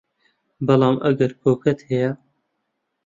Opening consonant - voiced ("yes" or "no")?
yes